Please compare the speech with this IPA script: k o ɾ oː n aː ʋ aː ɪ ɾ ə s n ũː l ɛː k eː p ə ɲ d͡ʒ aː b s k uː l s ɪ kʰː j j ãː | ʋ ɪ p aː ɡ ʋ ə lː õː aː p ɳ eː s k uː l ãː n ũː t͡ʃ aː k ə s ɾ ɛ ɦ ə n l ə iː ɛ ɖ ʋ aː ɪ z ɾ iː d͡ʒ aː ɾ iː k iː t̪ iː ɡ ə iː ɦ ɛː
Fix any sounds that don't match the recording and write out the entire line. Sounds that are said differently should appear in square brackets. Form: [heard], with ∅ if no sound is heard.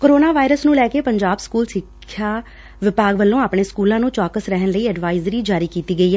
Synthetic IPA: k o ɾ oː n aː ʋ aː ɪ ɾ ə s n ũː l ɛː k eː p ə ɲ d͡ʒ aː b s k uː l s ɪ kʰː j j [aː] | ʋ ɪ p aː ɡ ʋ ə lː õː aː p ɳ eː s k uː l ãː n ũː t͡ʃ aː k ə s ɾ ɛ ɦ ə n l ə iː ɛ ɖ ʋ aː ɪ z ɾ iː d͡ʒ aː ɾ iː k iː t̪ iː ɡ ə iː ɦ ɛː

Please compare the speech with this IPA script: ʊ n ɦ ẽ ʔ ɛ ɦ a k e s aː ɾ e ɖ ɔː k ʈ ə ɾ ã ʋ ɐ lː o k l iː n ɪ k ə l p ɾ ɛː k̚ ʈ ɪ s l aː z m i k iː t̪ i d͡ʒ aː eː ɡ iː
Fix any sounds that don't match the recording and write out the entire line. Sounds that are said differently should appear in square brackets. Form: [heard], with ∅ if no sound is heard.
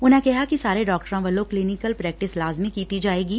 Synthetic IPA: ʊ n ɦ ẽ [k] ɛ ɦ a k [i] s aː ɾ e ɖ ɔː k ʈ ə ɾ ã ʋ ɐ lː o k l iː n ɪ k ə l p ɾ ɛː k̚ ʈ ɪ s l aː z m i k iː t̪ i d͡ʒ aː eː ɡ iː

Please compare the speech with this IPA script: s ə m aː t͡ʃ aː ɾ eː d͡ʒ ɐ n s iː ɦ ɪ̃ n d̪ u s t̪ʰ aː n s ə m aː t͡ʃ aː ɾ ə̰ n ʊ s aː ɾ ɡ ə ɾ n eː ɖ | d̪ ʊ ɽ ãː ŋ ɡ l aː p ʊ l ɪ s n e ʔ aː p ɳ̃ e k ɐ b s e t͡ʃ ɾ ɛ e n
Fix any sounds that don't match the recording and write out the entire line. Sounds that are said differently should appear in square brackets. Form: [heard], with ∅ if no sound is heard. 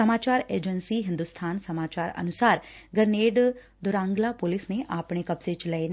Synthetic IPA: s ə m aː t͡ʃ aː ɾ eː d͡ʒ [ə] n s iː ɦ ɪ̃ n d̪ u s t̪ʰ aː n s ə m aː t͡ʃ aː ɾ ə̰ n ʊ s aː ɾ ɡ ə ɾ n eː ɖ | d̪ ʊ [ɾ] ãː ŋ ɡ l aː p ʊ l ɪ s n e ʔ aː p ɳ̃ e k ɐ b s e t͡ʃ [l] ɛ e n

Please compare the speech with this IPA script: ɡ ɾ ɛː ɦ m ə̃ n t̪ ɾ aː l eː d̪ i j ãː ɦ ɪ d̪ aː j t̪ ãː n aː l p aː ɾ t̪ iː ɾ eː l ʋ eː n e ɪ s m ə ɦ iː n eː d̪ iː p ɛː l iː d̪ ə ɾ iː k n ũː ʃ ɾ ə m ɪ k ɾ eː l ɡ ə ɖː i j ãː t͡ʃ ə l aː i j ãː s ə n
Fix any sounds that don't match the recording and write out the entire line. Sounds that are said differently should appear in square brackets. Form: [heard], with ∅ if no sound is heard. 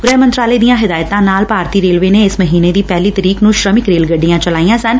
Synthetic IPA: ɡ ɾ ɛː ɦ m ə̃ n t̪ ɾ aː l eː d̪ i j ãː ɦ ɪ d̪ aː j t̪ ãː n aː l p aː ɾ t̪ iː ɾ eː l ʋ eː n e ɪ s m ə ɦ iː n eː d̪ iː p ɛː l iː [t̪] ə ɾ iː k n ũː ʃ ɾ ə m ɪ k ɾ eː l ɡ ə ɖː i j ãː t͡ʃ ə l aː i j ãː s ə n

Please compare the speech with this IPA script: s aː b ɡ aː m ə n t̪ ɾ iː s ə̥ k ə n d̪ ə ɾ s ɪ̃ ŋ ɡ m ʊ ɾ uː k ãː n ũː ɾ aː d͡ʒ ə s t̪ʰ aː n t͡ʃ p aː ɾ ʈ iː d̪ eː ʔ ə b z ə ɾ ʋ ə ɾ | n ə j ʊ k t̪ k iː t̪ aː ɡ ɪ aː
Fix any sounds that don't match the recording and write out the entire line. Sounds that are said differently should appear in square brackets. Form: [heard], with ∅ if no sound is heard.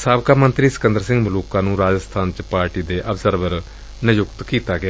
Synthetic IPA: s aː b [k] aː m ə n t̪ ɾ iː s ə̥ k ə n d̪ ə ɾ s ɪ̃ ŋ ɡ m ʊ [l] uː k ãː n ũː ɾ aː d͡ʒ ə s t̪ʰ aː n t͡ʃ p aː ɾ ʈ iː d̪ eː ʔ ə b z ə ɾ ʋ ə ɾ | n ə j ʊ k t̪ k iː t̪ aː ɡ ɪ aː

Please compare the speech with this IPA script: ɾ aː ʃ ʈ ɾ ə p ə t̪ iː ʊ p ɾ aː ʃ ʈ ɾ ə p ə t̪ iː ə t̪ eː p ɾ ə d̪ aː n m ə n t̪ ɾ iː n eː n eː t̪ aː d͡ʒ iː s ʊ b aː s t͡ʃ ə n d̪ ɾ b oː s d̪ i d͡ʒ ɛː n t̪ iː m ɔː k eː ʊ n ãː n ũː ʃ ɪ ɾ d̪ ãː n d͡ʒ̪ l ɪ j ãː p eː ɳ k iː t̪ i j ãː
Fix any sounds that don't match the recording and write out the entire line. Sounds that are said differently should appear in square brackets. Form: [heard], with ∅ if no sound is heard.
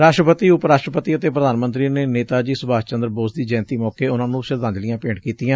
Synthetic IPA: ɾ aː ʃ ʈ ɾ ə p ə t̪ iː ʊ p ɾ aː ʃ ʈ ɾ ə p ə t̪ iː ə t̪ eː p ɾ ə d̪ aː n m ə n t̪ ɾ iː n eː n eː t̪ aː d͡ʒ iː s ʊ b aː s t͡ʃ ə n d̪ ɾ b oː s d̪ [iː] d͡ʒ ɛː n t̪ iː m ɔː k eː ʊ n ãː n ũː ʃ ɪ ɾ d̪ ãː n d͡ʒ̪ l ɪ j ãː p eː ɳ k iː t̪ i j ãː

